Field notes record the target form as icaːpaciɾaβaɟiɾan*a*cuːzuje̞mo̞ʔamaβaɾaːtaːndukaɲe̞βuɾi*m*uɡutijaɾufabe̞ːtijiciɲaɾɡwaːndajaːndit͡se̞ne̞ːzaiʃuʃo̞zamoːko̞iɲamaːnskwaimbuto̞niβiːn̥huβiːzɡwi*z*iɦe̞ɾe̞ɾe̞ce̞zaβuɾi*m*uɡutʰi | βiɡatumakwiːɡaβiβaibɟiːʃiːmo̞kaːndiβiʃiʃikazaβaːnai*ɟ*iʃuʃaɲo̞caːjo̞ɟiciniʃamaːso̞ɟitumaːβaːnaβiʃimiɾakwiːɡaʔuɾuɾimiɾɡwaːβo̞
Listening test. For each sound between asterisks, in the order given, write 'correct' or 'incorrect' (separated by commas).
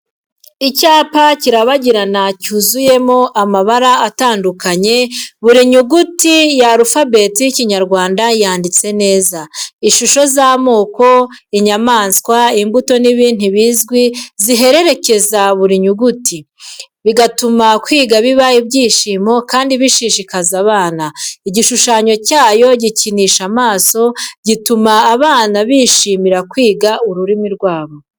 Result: correct, incorrect, correct, incorrect, correct